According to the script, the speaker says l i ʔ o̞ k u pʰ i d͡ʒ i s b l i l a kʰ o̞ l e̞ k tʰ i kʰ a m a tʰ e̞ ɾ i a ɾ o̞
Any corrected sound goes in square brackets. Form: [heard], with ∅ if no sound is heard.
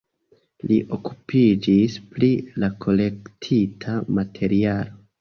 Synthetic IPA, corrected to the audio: l i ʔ o̞ k u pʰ i d͡ʒ i s [p] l i l a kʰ o̞ l e̞ k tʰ i [tʰ] a m a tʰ e̞ ɾ i a [l] o̞